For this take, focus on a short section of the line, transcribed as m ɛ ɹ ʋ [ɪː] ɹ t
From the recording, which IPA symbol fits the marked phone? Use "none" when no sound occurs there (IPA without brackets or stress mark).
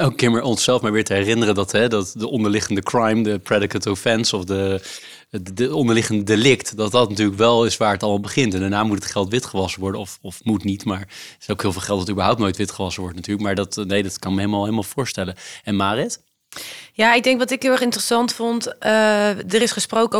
ɪː